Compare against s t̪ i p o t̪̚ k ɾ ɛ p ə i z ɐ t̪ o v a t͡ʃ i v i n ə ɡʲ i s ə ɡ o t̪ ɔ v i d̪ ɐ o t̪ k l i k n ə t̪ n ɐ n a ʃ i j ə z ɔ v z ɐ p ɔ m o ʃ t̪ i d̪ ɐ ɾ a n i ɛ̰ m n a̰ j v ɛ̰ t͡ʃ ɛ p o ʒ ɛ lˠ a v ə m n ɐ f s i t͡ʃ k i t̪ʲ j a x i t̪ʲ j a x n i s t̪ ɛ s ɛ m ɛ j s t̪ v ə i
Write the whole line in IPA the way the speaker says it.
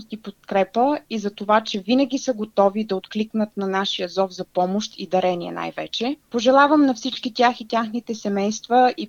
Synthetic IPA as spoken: s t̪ i p o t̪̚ k ɾ ɛ p ə i z ɐ t̪ o v a t͡ʃ ɛ v i n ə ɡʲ i s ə ɡ o t̪ ɔ v i d̪ ɐ o t̪ k l i k n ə t̪ n ɐ n a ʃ i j ə z ɔ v z ɐ p ɔ m o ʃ t̪ i d̪ ɐ ɾ ɛ n i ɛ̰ n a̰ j v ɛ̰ t͡ʃ ɛ p o ʒ ɛ lˠ a v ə m n ɐ f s i t͡ʃ k i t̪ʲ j a x i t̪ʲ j a x n i t̪ ɛ s ɛ m ɛ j s t̪ v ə i